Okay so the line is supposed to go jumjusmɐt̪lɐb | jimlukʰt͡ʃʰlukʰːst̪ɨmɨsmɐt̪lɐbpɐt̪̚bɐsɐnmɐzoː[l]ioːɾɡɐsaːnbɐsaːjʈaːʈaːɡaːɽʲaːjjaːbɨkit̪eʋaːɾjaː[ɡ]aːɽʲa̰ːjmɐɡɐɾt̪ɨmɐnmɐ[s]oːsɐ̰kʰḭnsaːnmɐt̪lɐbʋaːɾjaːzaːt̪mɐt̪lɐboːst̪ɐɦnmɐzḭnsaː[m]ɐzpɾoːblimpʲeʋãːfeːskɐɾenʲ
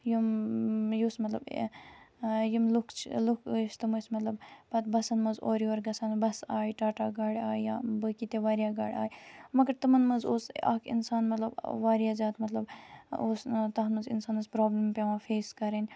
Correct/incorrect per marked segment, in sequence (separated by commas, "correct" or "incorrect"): incorrect, correct, incorrect, incorrect